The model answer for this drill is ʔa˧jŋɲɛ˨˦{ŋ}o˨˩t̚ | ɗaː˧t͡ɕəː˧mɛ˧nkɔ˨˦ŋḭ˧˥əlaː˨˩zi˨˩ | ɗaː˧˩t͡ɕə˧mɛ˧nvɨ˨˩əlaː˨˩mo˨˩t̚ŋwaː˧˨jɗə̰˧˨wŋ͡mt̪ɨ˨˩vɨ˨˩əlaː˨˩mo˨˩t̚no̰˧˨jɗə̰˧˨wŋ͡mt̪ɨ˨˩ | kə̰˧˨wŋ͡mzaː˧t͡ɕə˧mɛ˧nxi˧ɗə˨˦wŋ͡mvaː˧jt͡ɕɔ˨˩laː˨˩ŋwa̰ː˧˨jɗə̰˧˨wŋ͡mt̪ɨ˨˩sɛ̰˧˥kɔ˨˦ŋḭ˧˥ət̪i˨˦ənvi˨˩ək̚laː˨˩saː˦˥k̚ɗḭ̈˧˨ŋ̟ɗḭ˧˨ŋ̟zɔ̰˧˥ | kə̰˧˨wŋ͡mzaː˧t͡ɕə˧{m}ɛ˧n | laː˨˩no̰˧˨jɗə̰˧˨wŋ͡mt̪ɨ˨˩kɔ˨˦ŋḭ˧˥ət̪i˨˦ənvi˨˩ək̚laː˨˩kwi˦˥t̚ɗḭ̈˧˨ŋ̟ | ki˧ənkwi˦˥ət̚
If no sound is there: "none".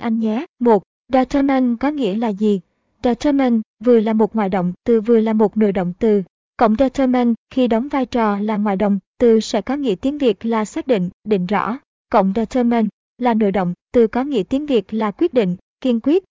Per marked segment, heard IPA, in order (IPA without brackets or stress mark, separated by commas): m, m